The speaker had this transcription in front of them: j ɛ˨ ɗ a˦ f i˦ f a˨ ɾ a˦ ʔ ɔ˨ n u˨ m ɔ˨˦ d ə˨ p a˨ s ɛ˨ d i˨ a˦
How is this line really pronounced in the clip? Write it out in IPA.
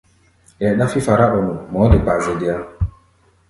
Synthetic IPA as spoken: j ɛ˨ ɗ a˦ f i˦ f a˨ ɾ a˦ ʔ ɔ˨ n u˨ m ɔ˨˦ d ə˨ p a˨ z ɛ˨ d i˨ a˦